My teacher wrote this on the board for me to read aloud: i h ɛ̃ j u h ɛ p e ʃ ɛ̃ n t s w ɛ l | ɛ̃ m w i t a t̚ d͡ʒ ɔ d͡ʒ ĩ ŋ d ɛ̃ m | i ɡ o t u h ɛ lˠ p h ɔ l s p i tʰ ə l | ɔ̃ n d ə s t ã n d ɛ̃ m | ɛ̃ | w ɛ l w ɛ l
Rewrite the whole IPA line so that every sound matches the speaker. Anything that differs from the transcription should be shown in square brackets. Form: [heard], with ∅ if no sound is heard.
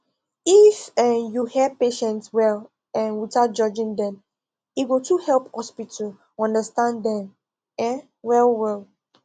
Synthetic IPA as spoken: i [f] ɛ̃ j u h ɛ p e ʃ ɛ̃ n t s w ɛ l | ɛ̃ [n] w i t a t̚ d͡ʒ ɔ d͡ʒ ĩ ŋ d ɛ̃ m | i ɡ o t u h ɛ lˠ p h ɔ [∅] s p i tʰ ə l | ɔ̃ n d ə s t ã n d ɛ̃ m | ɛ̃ | w ɛ l w ɛ l